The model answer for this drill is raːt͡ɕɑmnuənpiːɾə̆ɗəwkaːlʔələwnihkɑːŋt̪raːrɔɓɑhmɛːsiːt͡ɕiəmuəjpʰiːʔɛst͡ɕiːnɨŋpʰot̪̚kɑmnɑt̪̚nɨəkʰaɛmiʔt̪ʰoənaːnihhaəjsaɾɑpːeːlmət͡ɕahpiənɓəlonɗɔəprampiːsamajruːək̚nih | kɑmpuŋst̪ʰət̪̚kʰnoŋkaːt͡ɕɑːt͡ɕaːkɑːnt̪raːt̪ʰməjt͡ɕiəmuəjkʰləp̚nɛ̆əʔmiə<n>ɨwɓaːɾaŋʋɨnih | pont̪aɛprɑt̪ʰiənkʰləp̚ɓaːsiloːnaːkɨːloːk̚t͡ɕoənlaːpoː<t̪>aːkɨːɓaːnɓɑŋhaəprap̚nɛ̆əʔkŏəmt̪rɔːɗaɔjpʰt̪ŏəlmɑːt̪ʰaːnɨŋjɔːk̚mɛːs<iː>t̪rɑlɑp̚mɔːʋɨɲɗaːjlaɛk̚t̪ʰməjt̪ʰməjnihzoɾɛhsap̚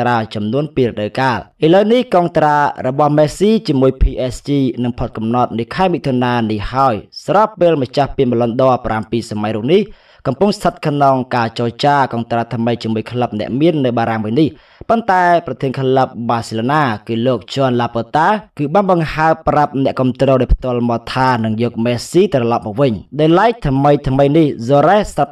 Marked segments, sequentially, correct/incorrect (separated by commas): incorrect, correct, correct